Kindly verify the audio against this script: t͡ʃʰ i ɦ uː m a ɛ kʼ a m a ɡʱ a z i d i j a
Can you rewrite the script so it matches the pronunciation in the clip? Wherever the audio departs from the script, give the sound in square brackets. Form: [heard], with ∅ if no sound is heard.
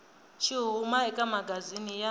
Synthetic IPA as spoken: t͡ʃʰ i ɦ [u] m a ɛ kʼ a m a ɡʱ a z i [n] i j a